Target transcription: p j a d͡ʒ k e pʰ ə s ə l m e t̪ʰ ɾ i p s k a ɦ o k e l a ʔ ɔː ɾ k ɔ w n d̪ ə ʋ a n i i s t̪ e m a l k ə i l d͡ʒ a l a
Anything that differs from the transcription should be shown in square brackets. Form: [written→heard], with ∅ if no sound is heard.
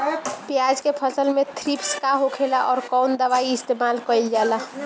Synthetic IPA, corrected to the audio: p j a d͡ʒ k e pʰ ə s ə l m e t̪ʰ ɾ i p s k a ɦ o [k→kʰ] e l a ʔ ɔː ɾ k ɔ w n d̪ ə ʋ a [n→∅] i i s t̪ e m a l k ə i l d͡ʒ a l a